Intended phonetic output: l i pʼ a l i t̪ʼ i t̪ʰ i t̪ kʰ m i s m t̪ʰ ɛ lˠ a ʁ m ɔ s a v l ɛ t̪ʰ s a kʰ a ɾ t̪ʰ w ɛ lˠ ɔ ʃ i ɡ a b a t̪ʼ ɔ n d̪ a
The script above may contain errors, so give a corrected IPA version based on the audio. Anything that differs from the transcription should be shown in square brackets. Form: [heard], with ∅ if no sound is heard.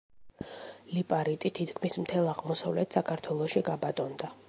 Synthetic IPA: l i pʼ a [ɾ] i t̪ʼ i t̪ʰ i t̪ kʰ m i s m t̪ʰ ɛ lˠ a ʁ m ɔ s a v l ɛ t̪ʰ s a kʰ a ɾ t̪ʰ w ɛ lˠ ɔ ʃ i ɡ a b a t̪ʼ ɔ n d̪ a